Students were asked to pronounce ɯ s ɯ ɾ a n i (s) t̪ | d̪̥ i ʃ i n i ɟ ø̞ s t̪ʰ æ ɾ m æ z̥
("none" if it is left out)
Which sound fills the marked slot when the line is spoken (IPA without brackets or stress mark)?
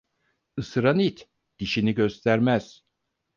none